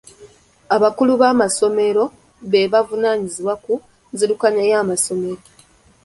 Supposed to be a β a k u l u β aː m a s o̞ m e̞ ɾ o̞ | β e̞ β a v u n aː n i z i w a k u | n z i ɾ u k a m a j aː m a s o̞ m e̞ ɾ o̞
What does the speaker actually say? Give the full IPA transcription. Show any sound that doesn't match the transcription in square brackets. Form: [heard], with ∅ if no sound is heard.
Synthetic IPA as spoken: a β a k u l u β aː m a s o̞ m e̞ ɾ o̞ | β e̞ β a v u n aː [ɲ] i z i w a k u | n z i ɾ u k a [ɲ] a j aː m a s o̞ m e̞ ɾ o̞